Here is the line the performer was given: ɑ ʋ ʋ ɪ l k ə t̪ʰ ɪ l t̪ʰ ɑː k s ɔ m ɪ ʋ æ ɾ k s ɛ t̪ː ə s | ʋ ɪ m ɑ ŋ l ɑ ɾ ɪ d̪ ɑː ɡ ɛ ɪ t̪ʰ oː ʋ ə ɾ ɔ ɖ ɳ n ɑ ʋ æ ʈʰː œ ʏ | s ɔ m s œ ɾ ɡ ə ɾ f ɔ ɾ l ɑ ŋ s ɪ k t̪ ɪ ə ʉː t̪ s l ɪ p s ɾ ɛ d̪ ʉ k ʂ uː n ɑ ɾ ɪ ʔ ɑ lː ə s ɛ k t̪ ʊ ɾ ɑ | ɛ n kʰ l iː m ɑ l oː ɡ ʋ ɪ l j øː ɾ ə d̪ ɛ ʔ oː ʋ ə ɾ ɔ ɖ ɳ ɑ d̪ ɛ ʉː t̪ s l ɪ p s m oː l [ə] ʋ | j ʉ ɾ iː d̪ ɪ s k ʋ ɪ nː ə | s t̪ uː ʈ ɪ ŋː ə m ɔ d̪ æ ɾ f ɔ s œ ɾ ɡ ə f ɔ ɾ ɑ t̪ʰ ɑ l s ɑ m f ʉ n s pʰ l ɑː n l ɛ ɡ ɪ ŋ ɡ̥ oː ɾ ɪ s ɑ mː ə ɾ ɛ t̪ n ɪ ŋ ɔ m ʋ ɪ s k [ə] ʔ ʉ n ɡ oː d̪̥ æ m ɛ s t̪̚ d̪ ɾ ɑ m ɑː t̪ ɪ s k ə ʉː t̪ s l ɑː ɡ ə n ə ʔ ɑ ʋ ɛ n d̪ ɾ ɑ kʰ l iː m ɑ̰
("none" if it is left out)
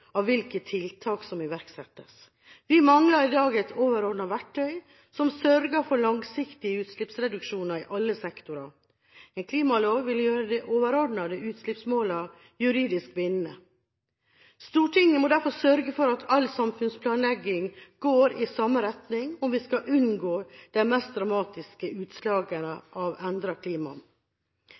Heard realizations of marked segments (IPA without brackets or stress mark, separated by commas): ɑ, ɑ